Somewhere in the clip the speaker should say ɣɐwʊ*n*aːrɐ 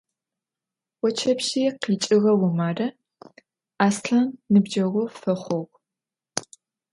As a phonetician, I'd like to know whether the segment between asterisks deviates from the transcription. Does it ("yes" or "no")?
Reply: yes